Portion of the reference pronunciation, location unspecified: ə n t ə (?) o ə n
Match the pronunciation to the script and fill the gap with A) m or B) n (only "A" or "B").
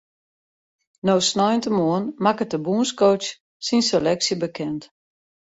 A